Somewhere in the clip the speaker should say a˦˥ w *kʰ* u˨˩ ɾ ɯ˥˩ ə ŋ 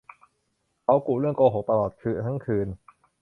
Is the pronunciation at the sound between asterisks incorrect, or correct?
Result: incorrect